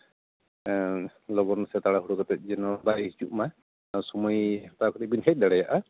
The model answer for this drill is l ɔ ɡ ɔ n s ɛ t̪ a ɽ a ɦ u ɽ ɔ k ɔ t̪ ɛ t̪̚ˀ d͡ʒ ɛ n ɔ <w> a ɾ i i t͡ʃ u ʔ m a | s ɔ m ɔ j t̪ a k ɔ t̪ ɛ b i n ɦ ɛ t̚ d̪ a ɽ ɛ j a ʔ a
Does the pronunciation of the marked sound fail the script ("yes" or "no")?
yes